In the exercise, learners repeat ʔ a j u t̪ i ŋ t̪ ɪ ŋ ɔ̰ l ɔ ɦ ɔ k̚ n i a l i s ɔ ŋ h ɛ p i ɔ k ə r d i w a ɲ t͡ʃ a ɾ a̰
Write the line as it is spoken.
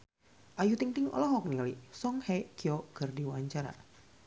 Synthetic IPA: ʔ a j u t̪ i ŋ t̪ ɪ ŋ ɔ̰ l ɔ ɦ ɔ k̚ n i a l i s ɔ ŋ h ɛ k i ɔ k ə r d i w a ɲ t͡ʃ a ɾ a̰